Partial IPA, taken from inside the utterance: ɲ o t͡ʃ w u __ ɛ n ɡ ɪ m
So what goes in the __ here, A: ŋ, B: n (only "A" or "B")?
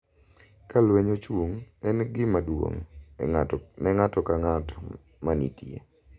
A